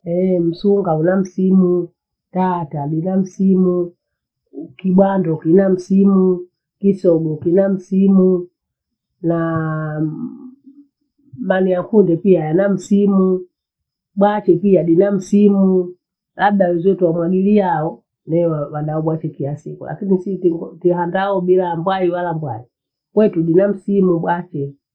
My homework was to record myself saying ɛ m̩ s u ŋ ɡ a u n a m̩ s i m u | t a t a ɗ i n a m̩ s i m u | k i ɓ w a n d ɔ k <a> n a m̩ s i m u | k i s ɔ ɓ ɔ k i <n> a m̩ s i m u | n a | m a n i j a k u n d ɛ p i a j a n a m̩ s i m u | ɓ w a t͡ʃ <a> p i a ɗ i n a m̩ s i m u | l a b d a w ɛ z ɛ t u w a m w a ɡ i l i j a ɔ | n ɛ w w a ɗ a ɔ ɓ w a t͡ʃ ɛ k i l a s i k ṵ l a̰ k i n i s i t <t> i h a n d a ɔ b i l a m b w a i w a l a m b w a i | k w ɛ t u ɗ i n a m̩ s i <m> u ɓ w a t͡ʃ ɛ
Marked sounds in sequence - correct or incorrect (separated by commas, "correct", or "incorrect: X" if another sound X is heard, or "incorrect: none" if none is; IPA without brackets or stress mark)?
incorrect: i, correct, incorrect: ɛ, correct, correct